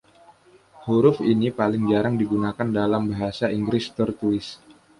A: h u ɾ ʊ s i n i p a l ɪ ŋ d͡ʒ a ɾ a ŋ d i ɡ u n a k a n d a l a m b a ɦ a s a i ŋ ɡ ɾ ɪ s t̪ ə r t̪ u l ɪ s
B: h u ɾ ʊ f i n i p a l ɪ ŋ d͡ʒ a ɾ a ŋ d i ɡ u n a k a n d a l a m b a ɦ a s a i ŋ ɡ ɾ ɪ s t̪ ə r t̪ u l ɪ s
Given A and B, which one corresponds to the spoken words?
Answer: B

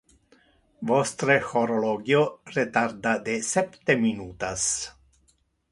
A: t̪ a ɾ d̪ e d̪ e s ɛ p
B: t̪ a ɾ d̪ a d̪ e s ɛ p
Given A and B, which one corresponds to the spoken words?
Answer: B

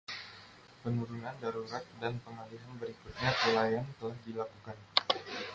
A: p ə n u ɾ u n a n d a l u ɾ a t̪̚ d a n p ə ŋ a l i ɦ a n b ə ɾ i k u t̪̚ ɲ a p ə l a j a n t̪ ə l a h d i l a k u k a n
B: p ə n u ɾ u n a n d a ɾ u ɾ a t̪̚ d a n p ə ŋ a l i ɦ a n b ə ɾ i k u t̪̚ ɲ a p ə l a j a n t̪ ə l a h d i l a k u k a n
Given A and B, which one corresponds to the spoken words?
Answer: B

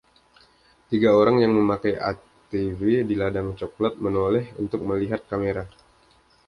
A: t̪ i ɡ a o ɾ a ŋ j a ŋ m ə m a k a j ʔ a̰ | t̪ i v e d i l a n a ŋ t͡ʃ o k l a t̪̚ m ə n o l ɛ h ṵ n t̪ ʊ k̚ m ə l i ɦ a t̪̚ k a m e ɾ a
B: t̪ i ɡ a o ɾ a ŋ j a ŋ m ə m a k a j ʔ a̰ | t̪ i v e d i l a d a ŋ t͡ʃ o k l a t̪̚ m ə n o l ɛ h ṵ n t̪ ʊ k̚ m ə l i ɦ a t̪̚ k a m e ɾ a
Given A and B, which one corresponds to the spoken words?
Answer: B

